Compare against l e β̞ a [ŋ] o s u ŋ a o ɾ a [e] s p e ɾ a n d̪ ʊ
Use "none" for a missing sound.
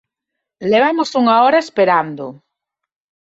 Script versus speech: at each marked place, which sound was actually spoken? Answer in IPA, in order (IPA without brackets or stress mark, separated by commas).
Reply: m, e